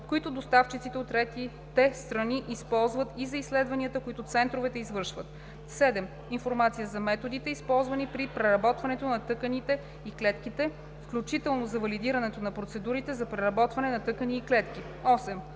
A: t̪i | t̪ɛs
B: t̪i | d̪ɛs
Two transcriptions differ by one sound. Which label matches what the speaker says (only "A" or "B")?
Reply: A